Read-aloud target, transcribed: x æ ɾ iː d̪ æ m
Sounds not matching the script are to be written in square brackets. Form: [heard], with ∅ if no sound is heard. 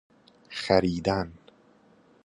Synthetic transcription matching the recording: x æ ɾ iː d̪ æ [n]